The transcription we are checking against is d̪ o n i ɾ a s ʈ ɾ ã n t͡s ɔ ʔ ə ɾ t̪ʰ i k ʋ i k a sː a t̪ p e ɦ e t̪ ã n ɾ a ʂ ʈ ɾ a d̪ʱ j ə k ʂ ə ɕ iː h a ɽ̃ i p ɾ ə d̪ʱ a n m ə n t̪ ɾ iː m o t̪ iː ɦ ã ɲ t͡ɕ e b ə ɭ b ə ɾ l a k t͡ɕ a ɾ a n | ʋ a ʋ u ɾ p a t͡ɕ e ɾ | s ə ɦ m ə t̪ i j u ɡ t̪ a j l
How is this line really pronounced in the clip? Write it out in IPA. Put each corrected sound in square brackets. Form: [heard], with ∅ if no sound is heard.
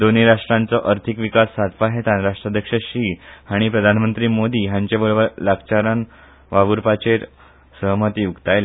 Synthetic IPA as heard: d̪ o n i ɾ a [ʂ] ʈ ɾ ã n t͡s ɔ ʔ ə ɾ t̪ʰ i k ʋ i k a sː a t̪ p [a] ɦ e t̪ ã n ɾ a ʂ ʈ ɾ a d̪ʱ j ə k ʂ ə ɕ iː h a ɽ̃ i p ɾ ə d̪ʱ a n m ə n t̪ ɾ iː m o [d̪] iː ɦ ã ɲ t͡ɕ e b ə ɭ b ə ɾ l a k t͡ɕ a ɾ a n | ʋ a ʋ u ɾ p a t͡ɕ e ɾ | s ə ɦ m ə t̪ i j u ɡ t̪ a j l

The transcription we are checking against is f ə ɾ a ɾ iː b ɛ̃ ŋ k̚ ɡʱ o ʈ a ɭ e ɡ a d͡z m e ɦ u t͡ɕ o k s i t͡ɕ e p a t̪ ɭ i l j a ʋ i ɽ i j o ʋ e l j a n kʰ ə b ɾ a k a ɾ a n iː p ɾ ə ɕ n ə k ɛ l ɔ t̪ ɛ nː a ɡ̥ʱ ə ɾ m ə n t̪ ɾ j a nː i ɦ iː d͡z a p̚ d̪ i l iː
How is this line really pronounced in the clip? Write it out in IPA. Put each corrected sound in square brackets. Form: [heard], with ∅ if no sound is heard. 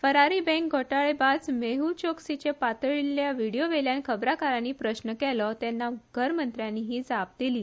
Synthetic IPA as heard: f ə ɾ a ɾ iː b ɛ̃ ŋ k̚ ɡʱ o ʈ a ɭ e [b] a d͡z m e ɦ u t͡ɕ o k s i t͡ɕ e p a t̪ ɭ i l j a ʋ i ɽ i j o ʋ e l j a n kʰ ə b ɾ a k a ɾ a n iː p ɾ ə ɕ n ə k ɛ l ɔ t̪ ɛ nː a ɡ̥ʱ ə ɾ m ə n t̪ ɾ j a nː i ɦ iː d͡z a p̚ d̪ i l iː

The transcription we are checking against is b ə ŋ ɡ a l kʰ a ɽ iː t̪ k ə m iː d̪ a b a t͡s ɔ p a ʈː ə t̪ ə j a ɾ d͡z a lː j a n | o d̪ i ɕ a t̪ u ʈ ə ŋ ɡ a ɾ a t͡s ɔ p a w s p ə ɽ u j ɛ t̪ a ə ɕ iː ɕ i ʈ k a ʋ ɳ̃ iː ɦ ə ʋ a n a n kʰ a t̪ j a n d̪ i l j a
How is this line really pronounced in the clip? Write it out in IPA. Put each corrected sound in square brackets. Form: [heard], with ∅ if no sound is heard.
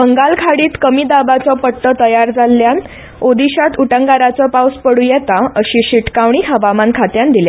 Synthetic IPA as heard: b ə ŋ ɡ a l kʰ a ɽ iː t̪ k ə m iː d̪ a b a t͡s ɔ p [ə] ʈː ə t̪ ə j a ɾ d͡z a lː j a n | o d̪ i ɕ a t̪ u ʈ ə ŋ ɡ a ɾ a t͡s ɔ p a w s p ə ɽ u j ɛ t̪ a ə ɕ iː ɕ i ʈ k a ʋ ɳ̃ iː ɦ ə ʋ a [m] a n kʰ a t̪ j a n d̪ i l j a

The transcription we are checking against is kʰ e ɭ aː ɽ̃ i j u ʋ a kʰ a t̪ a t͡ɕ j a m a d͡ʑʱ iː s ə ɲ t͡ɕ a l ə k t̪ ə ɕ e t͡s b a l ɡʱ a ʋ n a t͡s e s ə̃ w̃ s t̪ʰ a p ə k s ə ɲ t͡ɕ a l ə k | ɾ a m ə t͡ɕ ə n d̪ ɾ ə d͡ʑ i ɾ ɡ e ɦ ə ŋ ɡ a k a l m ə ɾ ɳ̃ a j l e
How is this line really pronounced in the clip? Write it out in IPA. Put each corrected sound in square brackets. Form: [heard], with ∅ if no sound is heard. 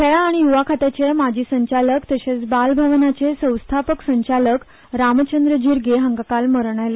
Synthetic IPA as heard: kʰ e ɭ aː ɽ̃ i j u ʋ a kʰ a t̪ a t͡ɕ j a m a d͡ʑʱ iː s ə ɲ t͡ɕ a l ə k t̪ ə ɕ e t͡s b a l [bʱ] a ʋ n a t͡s e s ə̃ w̃ s t̪ʰ a p ə k s ə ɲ t͡ɕ a l ə k | ɾ a m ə t͡ɕ ə n d̪ ɾ ə d͡ʑ i ɾ ɡ e ɦ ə ŋ ɡ a k a l m ə ɾ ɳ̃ a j l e

